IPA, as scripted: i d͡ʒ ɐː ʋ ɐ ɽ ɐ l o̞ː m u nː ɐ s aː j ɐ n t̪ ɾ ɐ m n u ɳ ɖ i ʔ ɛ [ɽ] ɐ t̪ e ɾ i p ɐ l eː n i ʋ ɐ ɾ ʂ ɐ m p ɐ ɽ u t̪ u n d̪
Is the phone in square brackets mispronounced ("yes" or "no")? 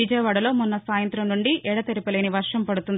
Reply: no